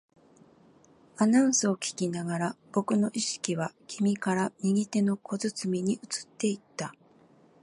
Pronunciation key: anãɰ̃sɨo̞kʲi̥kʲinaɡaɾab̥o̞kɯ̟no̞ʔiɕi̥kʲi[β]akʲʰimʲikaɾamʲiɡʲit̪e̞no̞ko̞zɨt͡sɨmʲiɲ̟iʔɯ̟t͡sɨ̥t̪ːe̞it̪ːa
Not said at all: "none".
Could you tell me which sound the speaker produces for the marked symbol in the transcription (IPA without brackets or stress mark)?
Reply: β